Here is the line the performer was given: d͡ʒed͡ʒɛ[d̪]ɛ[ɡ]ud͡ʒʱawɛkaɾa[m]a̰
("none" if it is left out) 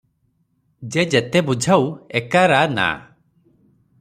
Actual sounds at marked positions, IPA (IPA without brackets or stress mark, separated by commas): t̪, b, n